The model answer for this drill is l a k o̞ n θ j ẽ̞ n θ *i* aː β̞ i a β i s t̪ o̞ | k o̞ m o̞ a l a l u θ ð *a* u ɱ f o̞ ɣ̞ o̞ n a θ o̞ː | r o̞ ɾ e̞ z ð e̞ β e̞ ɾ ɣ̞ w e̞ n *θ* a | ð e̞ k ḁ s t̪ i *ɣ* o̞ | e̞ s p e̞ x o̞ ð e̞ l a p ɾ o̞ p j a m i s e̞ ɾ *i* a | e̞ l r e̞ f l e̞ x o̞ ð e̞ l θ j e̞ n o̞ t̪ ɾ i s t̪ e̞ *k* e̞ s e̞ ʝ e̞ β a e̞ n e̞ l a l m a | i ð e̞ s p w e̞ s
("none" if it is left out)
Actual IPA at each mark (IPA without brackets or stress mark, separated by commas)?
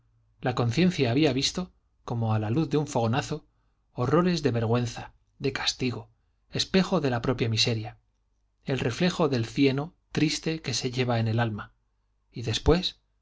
j, e, θ, ɣ, j, k